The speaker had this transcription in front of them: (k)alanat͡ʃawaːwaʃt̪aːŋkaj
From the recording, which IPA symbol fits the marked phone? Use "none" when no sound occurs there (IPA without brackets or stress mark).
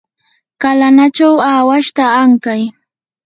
k